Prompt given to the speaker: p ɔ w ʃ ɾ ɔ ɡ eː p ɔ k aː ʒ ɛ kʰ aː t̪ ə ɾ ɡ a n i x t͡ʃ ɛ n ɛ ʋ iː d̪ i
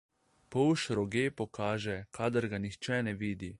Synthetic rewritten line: p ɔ w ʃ ɾ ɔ ɡ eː p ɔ k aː ʒ ɛ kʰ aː d̪ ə ɾ ɡ a n i x t͡ʃ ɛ n ɛ ʋ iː d̪ i